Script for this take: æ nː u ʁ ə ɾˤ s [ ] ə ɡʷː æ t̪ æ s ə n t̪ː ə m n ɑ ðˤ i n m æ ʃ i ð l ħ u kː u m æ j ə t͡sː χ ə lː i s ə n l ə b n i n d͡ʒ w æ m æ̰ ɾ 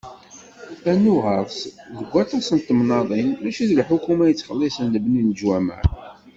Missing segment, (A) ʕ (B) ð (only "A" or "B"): B